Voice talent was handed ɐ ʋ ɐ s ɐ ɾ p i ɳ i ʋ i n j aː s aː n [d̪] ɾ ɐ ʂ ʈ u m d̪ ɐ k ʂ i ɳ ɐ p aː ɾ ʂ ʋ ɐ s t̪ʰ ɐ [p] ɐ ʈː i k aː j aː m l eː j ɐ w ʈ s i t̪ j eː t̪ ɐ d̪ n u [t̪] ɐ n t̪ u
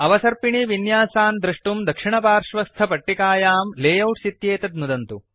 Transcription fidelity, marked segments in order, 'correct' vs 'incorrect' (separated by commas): correct, correct, incorrect